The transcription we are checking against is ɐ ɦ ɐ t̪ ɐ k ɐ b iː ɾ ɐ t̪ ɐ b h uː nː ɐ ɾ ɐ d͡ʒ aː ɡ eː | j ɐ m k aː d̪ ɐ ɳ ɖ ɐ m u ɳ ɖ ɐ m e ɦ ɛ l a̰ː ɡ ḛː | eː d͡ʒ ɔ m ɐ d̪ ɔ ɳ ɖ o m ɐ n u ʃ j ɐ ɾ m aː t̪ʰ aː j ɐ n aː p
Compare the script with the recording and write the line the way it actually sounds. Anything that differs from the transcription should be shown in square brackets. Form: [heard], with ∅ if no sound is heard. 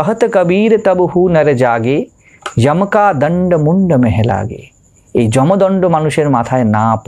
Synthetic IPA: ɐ ɦ ɐ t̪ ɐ k ɐ b iː ɾ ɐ t̪ ɐ b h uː [n] ɐ ɾ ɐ d͡ʒ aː ɡ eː | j ɐ m k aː d̪ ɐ ɳ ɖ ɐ m u ɳ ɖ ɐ m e ɦ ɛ l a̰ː ɡ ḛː | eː d͡ʒ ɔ m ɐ d̪ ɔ ɳ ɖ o m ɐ n u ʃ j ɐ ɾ m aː t̪ʰ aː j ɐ n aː p